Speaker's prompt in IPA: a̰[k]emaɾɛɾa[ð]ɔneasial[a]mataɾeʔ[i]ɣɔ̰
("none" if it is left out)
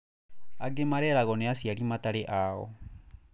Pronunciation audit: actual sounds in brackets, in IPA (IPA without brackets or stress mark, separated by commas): ɡ, ɣ, i, a